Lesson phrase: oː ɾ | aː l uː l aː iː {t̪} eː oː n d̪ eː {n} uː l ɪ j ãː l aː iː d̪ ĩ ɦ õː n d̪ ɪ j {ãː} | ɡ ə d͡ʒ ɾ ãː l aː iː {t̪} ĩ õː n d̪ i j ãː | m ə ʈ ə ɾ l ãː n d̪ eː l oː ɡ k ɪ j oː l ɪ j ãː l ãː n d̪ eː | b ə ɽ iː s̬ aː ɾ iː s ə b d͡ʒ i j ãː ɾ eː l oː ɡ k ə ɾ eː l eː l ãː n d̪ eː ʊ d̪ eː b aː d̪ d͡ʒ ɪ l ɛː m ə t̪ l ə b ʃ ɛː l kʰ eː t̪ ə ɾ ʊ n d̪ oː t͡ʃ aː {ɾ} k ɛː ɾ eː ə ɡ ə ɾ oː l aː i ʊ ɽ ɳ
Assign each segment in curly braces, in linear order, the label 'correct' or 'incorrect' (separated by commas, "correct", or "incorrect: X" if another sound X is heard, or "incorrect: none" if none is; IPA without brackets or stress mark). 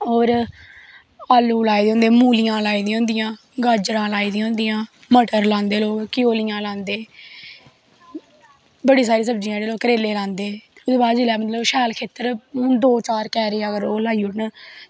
incorrect: d̪, incorrect: m, correct, incorrect: d̪, correct